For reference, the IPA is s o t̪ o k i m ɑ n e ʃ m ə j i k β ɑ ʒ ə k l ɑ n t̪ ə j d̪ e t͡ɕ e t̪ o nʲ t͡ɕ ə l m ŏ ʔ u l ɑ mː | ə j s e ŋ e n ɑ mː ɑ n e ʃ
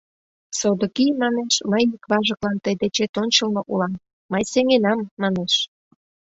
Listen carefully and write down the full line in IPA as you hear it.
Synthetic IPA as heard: s o d̪ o k i m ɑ n e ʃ m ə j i k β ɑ ʒ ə k l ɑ n t̪ ə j d̪ e t͡ɕ e t̪ o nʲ t͡ɕ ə l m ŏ ʔ u l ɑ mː | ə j s e ŋ e n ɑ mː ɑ n e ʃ